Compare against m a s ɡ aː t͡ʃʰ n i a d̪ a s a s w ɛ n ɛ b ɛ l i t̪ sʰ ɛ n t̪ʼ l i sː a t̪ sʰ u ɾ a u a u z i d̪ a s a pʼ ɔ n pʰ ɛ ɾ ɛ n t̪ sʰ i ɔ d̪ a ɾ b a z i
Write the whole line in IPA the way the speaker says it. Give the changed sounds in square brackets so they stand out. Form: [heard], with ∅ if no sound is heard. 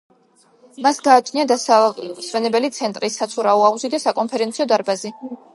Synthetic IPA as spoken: m a s ɡ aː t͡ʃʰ n i a d̪ a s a s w ɛ n ɛ b ɛ l i t̪ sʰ ɛ n t̪ʼ [ɾ] i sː a t̪ sʰ u ɾ a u a u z i d̪ a s a [kʼ] ɔ n pʰ ɛ ɾ ɛ n t̪ sʰ i ɔ d̪ a ɾ b a z i